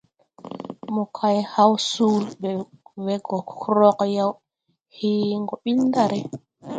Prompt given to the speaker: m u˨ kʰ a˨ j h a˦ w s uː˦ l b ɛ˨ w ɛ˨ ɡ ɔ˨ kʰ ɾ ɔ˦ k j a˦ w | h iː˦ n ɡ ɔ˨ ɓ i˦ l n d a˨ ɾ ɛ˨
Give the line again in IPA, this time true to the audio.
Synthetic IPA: m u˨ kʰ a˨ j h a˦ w s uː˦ l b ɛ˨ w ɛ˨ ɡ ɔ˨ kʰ ɾ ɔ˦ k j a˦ w | h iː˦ ŋ ɡ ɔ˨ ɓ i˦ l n d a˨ ɾ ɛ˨